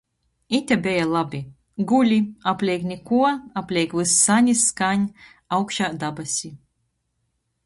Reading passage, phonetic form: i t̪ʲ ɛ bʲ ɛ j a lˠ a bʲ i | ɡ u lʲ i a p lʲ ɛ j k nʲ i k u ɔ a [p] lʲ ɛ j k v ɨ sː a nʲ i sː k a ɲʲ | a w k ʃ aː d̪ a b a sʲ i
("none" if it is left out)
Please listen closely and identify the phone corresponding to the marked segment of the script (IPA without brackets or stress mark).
p